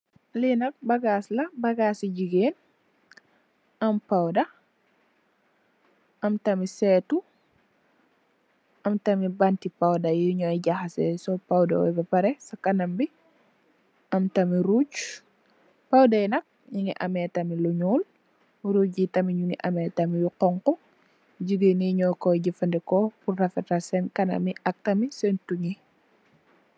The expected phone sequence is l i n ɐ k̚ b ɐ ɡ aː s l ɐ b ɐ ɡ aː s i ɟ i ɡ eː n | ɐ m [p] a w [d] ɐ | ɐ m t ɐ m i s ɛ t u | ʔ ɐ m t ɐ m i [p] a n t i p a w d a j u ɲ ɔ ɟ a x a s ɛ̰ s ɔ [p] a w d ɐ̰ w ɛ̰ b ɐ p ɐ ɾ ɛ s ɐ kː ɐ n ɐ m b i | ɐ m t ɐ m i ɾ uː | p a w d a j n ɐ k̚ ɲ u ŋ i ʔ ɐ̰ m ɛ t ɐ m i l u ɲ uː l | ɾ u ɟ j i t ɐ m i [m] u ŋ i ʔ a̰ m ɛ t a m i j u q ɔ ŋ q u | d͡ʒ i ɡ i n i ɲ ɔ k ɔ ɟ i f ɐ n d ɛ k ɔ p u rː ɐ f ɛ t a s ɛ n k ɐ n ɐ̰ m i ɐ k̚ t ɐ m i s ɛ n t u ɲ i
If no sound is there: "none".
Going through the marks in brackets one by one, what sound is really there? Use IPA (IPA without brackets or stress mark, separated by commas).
p, d, b, p, ɲ